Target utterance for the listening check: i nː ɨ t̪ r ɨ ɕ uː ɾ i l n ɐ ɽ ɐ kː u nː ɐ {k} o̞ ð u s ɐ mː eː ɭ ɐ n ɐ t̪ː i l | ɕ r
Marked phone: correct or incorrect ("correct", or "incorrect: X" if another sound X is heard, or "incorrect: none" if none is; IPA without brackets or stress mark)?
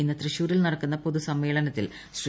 incorrect: p